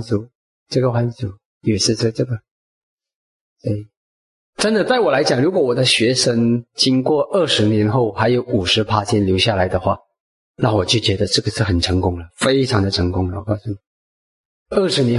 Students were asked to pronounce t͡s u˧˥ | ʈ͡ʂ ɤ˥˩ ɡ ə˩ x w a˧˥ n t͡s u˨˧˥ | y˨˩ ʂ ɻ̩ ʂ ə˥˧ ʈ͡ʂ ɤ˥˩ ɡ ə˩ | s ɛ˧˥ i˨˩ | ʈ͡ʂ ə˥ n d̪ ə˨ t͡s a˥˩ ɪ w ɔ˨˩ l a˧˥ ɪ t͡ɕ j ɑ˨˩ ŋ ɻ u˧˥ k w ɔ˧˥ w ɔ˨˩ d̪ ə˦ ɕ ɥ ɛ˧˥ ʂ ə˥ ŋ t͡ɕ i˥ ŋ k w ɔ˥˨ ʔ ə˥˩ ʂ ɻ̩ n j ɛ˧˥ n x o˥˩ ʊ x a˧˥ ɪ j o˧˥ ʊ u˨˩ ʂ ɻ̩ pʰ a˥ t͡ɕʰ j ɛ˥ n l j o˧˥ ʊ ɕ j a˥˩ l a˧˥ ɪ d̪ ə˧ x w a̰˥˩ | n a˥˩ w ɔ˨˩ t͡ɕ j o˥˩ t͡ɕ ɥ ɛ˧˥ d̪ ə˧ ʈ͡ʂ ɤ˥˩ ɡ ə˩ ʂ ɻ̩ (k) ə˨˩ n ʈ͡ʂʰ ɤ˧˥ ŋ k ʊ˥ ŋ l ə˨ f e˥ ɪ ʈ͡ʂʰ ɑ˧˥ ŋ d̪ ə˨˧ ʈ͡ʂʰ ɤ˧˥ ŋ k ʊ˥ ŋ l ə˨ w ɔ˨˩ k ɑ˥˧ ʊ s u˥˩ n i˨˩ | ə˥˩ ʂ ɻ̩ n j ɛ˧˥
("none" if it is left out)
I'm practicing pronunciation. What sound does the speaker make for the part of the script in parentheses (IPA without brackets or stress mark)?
x